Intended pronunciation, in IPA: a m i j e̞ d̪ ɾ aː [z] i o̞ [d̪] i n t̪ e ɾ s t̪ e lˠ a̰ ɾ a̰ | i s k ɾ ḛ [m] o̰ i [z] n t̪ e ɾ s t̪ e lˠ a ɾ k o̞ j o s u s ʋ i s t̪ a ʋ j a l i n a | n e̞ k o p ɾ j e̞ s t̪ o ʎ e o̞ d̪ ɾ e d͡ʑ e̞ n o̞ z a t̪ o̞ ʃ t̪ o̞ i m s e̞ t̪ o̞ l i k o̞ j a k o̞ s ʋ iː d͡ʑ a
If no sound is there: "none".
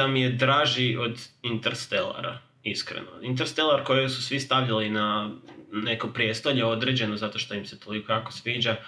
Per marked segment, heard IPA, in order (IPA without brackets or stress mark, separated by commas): ʒ, d̪, n, none